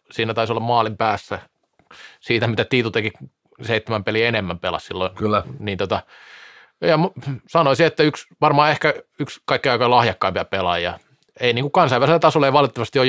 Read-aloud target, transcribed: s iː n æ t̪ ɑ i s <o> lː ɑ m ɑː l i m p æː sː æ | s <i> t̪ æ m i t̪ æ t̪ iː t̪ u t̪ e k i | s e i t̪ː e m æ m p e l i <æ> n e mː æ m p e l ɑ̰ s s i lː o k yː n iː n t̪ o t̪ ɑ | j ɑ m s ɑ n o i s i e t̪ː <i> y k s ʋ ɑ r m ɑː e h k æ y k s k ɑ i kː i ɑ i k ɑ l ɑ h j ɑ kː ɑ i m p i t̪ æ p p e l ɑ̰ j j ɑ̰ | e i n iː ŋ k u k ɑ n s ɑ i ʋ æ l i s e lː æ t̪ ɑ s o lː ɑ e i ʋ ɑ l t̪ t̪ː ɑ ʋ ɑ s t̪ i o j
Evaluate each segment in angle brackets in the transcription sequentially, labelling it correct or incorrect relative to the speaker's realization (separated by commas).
correct, incorrect, incorrect, incorrect